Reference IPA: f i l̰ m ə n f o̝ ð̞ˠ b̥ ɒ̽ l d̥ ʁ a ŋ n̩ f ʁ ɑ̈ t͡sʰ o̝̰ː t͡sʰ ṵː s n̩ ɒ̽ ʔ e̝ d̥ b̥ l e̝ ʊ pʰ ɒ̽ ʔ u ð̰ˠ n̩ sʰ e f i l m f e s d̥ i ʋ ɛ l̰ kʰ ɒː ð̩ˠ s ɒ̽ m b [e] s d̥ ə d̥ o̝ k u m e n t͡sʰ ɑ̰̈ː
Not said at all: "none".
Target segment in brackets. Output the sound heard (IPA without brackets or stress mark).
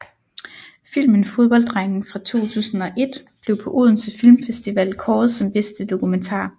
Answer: e